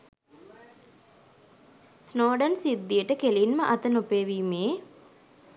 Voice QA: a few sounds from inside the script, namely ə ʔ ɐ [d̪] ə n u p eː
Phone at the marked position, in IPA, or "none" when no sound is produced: t̪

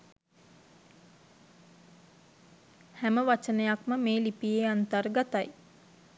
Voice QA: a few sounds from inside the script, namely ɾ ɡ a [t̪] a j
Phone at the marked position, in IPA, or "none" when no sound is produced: t̪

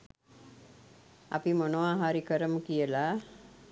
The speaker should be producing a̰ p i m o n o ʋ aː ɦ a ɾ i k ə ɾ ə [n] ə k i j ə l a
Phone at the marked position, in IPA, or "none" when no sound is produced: m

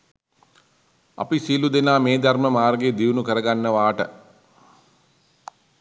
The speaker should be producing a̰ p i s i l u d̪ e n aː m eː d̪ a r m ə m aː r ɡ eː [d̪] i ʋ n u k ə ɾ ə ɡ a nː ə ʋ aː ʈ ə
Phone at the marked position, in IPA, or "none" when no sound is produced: d̪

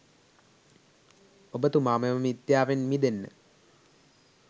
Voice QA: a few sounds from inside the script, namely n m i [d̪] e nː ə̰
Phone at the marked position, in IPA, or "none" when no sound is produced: d̪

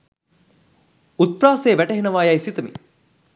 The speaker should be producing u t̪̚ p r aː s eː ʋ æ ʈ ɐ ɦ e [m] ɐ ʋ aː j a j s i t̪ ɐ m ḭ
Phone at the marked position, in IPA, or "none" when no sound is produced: n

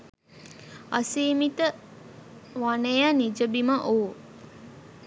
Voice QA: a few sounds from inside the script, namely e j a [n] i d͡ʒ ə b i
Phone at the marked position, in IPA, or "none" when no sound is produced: n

